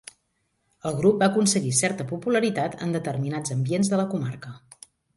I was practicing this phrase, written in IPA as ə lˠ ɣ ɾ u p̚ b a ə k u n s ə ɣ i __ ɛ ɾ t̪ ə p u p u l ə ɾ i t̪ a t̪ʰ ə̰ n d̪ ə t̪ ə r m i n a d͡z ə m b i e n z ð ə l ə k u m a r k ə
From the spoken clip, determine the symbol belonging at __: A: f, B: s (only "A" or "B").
B